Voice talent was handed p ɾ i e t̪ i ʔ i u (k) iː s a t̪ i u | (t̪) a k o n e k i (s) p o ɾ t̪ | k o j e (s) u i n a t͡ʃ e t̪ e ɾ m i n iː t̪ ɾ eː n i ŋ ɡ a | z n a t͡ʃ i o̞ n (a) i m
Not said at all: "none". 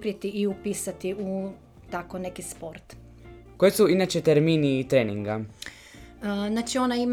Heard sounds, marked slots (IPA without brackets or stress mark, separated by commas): p, t̪, s, s, a